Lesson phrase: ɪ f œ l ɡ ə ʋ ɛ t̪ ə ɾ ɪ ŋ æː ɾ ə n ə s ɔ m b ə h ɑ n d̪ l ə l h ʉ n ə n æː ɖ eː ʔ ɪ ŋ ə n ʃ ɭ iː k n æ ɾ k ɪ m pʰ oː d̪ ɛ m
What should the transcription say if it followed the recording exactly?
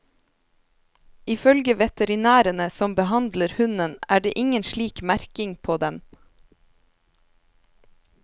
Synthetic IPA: ɪ f œ l ɡ ə ʋ ɛ t̪ ə ɾ ɪ n æː ɾ ə n ə s ɔ m b ə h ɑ n d̪ l ə ɾ h ʉ n ə n æː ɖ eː ʔ ɪ ŋ ə n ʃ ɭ iː k m æ ɾ k ɪ ŋ pʰ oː d̪ ɛ m